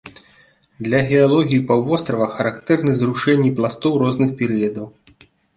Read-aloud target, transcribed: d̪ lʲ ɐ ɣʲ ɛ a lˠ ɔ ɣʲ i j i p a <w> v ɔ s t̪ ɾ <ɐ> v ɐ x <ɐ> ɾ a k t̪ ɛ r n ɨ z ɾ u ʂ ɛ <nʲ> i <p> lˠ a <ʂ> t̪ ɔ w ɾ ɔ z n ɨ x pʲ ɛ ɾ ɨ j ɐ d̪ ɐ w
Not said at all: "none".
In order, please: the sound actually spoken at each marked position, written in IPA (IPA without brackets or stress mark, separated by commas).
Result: w, ɐ, ɐ, nʲː, p, s